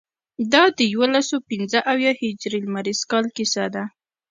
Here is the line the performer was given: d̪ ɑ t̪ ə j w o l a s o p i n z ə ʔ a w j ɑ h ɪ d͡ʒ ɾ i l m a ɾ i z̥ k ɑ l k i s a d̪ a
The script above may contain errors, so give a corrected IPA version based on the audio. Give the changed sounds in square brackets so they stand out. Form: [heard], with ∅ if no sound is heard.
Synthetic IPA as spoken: d̪ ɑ [d̪] ə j w o l a s o p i n z ə ʔ a w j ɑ h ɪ d͡ʒ ɾ i l m a ɾ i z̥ k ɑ l k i s a d̪ a